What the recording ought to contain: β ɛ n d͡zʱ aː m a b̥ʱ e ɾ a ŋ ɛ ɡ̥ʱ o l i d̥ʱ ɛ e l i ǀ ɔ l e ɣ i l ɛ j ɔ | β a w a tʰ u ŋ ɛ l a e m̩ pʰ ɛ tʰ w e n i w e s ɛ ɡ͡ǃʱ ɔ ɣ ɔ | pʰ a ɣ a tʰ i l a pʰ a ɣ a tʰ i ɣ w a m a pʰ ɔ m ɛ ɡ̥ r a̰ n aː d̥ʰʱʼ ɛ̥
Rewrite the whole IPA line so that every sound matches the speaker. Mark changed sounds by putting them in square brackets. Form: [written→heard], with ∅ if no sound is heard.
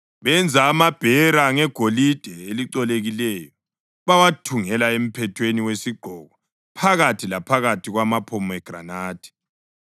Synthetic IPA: β ɛ n d͡zʱ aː m a b̥ʱ [e→ɛ] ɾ a ŋ ɛ ɡ̥ʱ o l i d̥ʱ ɛ e l i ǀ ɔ l e ɣ i l ɛ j ɔ | β a w a tʰ u ŋ ɛ l a e m̩ pʰ ɛ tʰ w e n i w e s [ɛ→i] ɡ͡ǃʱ ɔ ɣ ɔ | pʰ a ɣ a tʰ i l a pʰ a ɣ a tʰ i ɣ w a m a pʰ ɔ m ɛ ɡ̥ r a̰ n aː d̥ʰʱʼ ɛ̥